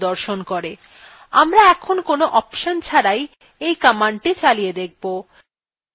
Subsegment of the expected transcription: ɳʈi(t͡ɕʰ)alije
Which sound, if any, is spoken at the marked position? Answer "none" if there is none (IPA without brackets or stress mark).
t͡ɕ